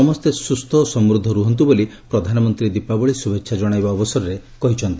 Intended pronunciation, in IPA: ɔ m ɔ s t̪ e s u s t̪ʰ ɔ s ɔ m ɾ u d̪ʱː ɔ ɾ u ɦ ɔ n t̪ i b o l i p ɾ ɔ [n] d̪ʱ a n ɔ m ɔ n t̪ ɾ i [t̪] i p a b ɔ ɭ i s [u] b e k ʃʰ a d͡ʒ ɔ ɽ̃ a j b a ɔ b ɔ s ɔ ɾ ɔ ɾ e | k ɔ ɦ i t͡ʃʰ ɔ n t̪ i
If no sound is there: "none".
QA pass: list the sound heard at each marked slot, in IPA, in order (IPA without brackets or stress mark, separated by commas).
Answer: none, d̪, u